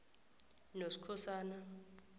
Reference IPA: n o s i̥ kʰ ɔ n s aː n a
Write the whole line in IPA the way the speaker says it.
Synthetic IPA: n o s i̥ kʰ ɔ s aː n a